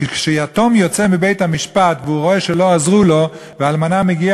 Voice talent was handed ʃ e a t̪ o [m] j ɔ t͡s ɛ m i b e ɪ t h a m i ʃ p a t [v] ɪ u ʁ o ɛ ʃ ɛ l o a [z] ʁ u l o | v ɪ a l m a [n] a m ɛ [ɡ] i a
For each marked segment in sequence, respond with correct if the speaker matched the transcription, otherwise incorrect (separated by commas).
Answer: correct, correct, correct, correct, correct